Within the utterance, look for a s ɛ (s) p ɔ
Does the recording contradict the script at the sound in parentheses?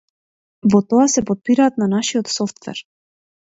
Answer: yes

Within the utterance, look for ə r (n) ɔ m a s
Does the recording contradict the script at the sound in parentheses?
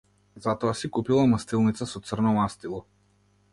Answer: no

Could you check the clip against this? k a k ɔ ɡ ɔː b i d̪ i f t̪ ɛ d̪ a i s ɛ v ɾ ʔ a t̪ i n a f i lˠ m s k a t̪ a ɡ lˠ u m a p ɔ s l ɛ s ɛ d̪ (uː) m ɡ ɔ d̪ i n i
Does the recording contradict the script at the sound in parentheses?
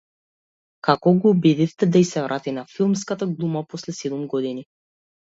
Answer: yes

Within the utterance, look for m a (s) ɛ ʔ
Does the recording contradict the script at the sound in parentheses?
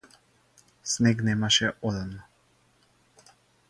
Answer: yes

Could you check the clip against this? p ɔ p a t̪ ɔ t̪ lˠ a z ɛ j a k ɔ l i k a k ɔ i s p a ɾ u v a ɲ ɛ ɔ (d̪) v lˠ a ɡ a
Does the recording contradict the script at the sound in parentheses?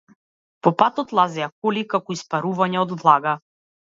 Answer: no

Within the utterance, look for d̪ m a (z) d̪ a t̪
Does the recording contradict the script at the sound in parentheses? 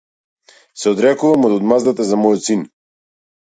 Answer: no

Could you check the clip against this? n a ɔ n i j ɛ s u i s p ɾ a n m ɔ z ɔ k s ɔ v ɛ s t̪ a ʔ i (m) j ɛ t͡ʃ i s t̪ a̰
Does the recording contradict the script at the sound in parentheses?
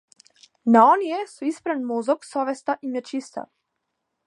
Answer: no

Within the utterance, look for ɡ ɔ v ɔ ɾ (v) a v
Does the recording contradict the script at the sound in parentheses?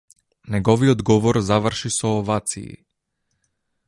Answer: yes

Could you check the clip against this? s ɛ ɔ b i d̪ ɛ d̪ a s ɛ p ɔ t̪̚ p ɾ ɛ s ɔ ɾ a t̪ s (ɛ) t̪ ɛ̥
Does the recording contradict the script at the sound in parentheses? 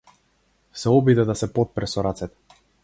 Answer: no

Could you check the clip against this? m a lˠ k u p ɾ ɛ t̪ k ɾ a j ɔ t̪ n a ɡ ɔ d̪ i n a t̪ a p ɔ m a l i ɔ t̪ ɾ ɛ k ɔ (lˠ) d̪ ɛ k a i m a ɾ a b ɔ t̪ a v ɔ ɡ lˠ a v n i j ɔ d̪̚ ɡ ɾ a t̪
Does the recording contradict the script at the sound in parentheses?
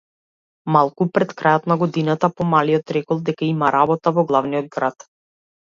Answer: no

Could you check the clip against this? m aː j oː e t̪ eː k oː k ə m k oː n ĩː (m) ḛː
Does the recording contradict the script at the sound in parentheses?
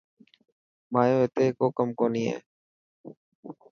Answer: yes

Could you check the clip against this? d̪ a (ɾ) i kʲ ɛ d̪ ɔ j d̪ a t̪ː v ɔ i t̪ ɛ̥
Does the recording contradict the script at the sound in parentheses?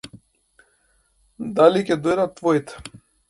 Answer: yes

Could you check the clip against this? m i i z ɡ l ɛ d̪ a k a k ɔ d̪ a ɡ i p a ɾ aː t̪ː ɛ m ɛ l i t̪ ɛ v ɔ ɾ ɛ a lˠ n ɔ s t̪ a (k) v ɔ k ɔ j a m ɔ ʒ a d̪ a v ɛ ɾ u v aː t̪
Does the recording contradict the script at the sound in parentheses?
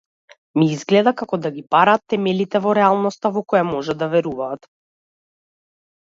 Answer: yes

